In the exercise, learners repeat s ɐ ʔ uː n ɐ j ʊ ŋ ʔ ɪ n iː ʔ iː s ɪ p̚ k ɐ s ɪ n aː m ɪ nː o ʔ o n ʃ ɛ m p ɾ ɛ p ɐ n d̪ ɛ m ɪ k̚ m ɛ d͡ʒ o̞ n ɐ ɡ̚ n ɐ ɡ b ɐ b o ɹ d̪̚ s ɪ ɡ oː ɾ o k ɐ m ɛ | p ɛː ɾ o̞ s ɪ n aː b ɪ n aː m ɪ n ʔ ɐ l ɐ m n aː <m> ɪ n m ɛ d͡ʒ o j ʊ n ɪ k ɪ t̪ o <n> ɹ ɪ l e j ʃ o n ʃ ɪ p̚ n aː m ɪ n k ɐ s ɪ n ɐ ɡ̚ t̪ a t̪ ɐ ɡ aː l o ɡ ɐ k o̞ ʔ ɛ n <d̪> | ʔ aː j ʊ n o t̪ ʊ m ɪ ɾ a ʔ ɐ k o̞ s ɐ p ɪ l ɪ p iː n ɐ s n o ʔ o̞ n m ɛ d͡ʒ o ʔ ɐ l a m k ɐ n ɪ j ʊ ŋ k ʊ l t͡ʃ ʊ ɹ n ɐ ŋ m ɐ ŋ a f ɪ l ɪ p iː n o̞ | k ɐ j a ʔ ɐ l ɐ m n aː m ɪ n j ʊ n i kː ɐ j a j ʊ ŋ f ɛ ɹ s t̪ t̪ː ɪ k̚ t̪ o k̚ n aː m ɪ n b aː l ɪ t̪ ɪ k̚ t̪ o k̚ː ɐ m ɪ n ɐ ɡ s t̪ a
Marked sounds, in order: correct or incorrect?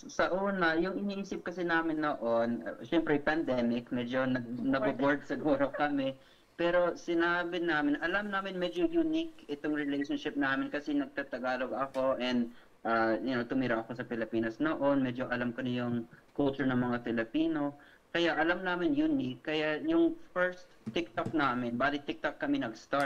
correct, incorrect: ŋ, correct

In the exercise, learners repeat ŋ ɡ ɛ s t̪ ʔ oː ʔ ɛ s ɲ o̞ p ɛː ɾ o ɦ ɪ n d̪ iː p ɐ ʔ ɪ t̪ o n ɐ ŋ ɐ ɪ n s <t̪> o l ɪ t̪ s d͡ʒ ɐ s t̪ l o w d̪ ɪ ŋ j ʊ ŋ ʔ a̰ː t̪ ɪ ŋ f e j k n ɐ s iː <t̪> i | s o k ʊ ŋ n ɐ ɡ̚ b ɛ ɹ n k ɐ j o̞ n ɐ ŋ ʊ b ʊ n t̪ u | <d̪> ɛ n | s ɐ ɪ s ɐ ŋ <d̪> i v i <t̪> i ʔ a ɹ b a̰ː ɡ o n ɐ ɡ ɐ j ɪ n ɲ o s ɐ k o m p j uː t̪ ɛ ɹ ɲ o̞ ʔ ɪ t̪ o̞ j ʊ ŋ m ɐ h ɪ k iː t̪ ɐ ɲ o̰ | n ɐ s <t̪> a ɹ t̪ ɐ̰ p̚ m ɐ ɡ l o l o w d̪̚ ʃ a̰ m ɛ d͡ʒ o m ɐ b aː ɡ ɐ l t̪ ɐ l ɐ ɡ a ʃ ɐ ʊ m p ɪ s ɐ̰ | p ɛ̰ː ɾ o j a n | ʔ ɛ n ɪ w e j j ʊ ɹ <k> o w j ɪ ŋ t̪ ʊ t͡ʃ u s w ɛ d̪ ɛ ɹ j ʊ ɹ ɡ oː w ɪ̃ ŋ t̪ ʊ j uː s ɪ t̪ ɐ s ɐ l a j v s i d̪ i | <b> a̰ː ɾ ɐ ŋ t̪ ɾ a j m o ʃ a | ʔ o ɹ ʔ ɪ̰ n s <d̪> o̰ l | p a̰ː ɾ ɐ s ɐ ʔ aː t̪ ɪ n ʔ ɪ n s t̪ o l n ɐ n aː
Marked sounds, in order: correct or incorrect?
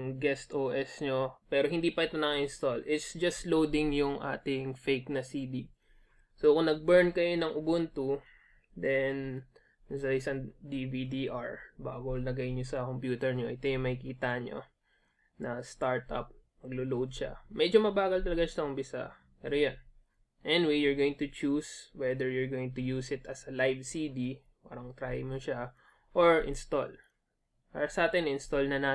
correct, incorrect: d̪, correct, correct, incorrect: d̪, correct, incorrect: ɡ, incorrect: p, incorrect: t̪

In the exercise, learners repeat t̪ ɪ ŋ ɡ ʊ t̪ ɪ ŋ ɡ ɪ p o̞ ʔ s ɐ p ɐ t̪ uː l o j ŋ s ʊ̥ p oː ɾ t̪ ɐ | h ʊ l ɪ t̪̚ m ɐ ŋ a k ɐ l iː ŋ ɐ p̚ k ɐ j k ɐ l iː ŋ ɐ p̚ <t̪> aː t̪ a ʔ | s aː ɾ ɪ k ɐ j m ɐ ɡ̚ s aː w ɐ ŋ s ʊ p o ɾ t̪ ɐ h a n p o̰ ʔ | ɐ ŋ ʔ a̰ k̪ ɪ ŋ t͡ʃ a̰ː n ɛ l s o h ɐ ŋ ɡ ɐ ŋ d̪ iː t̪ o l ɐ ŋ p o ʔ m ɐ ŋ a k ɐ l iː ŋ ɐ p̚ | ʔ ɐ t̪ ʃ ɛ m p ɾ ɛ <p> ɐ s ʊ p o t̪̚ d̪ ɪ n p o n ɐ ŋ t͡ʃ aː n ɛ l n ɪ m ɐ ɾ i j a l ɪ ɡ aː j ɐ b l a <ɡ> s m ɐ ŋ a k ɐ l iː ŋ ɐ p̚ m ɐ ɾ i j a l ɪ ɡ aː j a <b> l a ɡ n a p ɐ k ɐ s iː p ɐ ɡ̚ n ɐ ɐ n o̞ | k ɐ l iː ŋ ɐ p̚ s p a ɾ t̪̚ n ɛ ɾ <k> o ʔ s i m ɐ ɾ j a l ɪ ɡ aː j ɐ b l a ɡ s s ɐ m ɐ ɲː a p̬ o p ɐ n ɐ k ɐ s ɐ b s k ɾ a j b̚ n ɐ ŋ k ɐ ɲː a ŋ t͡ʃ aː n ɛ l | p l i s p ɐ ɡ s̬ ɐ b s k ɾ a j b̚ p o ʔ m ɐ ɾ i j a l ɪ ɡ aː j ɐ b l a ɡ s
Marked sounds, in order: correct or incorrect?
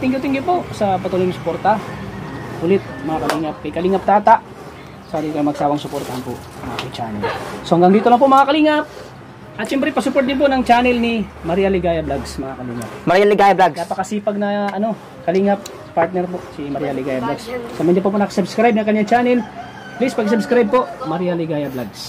correct, correct, correct, correct, incorrect: p

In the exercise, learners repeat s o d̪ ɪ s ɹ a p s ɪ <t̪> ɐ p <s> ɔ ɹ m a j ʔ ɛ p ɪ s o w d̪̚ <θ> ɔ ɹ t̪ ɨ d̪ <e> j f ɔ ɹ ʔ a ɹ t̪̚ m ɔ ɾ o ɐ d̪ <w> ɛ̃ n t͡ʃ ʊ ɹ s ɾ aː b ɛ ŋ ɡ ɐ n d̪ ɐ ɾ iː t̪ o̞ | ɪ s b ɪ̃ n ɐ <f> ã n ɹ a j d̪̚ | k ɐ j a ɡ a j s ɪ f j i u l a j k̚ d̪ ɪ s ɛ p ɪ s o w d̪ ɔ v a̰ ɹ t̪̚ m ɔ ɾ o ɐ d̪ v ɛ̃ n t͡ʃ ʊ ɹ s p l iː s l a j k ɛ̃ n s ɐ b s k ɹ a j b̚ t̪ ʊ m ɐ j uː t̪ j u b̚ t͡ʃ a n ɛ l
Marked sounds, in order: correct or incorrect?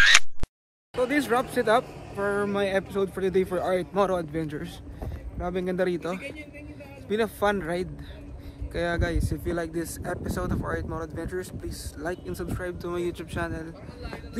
correct, incorrect: f, incorrect: f, correct, incorrect: v, correct

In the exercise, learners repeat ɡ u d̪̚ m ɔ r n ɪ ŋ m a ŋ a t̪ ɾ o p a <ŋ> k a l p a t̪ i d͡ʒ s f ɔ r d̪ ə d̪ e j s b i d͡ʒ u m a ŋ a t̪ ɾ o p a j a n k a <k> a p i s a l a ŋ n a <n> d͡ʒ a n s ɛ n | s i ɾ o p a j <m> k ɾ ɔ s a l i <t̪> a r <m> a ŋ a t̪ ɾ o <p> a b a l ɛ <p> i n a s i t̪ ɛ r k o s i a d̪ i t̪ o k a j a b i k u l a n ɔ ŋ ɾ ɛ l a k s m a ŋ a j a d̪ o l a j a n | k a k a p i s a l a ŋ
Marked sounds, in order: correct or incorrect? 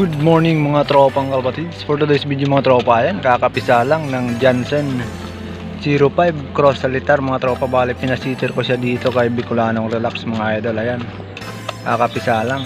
correct, correct, incorrect: ŋ, incorrect: b, correct, correct, correct, correct

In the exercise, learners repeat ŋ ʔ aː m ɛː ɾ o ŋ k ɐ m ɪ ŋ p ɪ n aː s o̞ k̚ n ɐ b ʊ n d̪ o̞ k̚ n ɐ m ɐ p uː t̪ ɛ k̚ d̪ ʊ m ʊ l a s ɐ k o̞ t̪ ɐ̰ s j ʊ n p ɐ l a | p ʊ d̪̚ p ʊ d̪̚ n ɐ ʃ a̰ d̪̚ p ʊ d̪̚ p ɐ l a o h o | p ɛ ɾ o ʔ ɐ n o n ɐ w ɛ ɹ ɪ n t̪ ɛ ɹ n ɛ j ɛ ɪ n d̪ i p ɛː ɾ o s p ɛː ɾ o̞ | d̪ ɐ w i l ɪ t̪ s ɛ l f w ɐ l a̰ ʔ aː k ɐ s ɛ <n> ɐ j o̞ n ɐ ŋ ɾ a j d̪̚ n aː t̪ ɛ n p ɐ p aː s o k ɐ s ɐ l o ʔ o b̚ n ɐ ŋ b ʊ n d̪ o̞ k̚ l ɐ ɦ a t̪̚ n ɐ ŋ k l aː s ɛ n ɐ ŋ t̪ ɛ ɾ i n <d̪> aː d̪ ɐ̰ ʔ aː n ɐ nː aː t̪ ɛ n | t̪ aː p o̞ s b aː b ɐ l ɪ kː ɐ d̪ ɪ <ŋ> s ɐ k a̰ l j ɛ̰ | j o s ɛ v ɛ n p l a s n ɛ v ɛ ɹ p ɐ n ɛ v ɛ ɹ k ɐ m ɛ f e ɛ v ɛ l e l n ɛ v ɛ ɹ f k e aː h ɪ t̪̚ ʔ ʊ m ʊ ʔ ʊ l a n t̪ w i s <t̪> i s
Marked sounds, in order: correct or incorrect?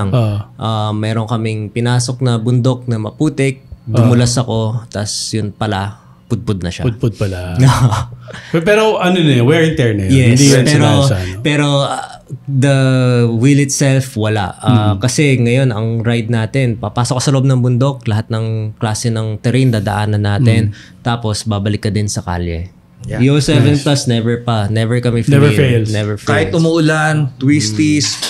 incorrect: ŋ, correct, incorrect: n, correct

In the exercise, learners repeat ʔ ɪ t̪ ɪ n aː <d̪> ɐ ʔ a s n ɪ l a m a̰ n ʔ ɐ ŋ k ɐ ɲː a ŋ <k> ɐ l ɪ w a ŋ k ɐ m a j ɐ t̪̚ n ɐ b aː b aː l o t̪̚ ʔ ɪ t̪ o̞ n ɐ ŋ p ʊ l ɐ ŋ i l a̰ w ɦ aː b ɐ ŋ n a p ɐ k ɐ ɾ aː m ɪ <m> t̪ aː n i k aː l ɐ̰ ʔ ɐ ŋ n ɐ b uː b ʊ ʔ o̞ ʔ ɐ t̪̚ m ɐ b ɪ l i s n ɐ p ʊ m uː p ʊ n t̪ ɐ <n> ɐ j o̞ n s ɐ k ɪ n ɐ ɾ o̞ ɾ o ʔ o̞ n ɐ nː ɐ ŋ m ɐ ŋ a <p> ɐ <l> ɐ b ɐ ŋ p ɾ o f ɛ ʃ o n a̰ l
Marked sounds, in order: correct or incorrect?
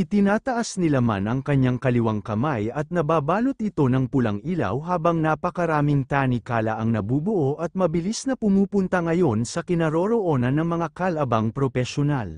incorrect: t̪, correct, incorrect: ŋ, incorrect: ŋ, incorrect: k, correct

